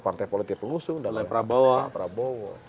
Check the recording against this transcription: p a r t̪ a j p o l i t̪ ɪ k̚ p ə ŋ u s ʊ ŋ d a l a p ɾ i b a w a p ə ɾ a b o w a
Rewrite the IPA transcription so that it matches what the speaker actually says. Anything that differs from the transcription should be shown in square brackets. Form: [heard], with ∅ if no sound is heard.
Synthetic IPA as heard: p a r t̪ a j p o l i t̪ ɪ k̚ p ə ŋ u s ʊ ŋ d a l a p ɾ [a] b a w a p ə ɾ a b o w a

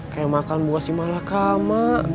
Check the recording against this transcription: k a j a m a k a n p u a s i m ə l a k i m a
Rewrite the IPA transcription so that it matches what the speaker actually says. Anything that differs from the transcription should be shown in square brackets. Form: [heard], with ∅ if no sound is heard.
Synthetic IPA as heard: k a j a m a k a n [b] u a s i m [a] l a k [a] m a

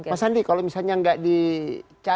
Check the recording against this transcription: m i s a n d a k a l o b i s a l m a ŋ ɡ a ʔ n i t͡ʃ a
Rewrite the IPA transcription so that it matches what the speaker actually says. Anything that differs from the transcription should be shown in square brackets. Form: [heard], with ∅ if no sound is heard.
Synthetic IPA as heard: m [a] s a n d [i] k a l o [m] i s a l [ɲ] a ŋ ɡ a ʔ [d] i t͡ʃ a

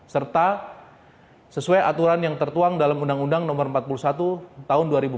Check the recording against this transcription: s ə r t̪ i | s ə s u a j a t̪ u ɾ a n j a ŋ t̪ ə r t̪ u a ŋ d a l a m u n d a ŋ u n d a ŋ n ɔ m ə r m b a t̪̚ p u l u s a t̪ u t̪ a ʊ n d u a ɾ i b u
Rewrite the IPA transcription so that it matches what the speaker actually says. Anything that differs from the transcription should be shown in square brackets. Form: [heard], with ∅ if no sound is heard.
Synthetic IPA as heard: s ə r t̪ [a] | s ə s u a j a t̪ u ɾ a n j a ŋ t̪ ə r t̪ u a ŋ d a l a m u n d a ŋ u n d a ŋ n ɔ m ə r m [p] a t̪̚ p u l u s a t̪ u t̪ a ʊ n d u a ɾ i b u

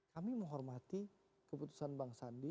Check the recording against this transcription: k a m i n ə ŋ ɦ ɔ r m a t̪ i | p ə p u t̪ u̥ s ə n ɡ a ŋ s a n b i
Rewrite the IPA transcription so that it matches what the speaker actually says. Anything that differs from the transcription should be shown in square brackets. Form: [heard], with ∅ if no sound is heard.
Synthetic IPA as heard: k a m i [m] ə ŋ ɦ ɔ r m a t̪ i | [k] ə p u t̪ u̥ s [a] n [b] a ŋ s a n [d] i

